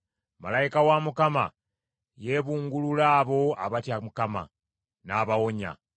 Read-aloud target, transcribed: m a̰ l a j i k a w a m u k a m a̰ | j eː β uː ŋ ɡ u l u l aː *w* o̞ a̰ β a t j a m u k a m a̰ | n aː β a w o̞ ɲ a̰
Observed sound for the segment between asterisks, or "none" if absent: β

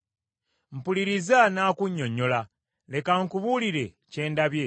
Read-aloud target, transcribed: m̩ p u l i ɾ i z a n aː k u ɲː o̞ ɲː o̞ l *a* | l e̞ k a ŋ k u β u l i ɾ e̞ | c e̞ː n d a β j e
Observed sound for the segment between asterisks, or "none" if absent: a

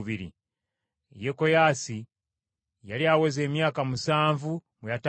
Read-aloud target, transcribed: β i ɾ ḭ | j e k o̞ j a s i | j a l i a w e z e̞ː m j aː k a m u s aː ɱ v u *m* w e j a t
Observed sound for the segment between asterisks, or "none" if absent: m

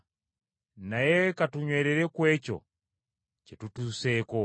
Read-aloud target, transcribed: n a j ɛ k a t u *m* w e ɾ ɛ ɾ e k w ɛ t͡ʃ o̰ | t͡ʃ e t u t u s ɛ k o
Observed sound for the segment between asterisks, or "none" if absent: ɲ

